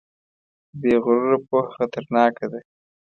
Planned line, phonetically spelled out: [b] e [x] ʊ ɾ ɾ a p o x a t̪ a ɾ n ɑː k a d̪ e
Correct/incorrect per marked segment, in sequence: correct, incorrect: ɣ

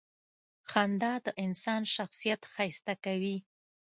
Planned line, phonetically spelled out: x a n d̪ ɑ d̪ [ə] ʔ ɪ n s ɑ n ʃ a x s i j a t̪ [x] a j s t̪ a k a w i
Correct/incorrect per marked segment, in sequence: correct, correct

